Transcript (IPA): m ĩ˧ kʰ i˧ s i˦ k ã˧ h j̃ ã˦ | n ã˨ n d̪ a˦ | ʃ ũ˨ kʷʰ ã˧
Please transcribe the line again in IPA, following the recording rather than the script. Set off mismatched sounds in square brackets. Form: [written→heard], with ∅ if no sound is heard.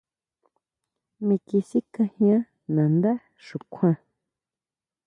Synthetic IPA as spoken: m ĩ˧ [kʰ→k] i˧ s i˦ k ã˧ h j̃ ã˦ | n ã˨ n d̪ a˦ | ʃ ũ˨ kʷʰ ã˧